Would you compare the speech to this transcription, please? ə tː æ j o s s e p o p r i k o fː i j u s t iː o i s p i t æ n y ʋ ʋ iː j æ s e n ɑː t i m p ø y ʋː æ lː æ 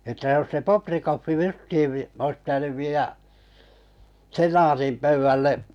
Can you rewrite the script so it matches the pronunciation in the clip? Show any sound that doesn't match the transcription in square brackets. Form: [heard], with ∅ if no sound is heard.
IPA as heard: ə tː æ j o s s e p o p r i k o fː i j u s t iː o i s p i t æ n y ʋ ʋ iː j æ s e n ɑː t i m p ø y ʋː æ lː [e]